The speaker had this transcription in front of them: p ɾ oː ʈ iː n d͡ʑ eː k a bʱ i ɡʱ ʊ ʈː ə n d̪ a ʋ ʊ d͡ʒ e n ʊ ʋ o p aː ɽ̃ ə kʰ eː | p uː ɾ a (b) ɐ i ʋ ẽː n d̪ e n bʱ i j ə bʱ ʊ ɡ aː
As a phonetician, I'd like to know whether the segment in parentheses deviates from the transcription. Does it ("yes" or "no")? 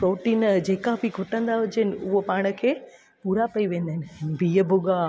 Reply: yes